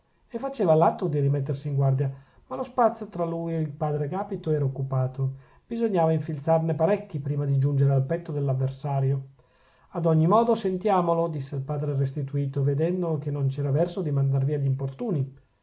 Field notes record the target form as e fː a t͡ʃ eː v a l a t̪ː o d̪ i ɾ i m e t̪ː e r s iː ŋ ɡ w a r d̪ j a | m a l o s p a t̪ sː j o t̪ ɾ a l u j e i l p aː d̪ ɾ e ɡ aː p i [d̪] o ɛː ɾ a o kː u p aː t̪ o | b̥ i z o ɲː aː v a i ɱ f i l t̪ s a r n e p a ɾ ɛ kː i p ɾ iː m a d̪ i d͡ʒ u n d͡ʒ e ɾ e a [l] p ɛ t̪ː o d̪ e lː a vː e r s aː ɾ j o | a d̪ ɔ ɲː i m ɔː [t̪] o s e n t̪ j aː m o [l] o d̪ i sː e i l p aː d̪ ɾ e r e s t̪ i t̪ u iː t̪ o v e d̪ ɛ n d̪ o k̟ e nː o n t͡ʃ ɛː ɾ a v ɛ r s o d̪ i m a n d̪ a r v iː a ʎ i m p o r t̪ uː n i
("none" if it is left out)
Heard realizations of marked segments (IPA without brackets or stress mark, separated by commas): t̪, l, d̪, l